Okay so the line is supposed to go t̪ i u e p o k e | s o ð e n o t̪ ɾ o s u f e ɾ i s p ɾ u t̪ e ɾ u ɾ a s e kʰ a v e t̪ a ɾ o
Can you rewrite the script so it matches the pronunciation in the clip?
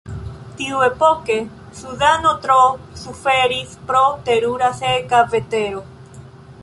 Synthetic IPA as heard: t̪ i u e p o k e | s u ð a n o t̪ ɾ o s u f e ɾ i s p ɾ o t̪ e ɾ u ɾ a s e k a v e t̪ e ɾ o